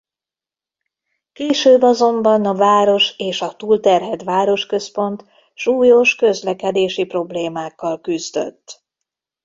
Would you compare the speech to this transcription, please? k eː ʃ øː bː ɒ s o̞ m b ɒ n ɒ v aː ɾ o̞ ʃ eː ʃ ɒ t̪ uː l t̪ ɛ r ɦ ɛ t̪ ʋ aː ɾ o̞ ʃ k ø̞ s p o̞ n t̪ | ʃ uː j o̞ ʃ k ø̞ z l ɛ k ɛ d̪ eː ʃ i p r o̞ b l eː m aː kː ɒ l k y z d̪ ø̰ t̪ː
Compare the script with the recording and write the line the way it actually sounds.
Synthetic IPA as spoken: k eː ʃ øː bː ɒ z o̞ m b ɒ n ɒ v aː ɾ o̞ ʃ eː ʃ ɒ t̪ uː l t̪ ɛ r ɦ ɛ t̪ ʋ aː ɾ o̞ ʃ k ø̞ s p o̞ n t̪ | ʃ uː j o̞ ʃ k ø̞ z l ɛ k ɛ d̪ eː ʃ i p r o̞ b l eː m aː kː ɒ l k y z d̪ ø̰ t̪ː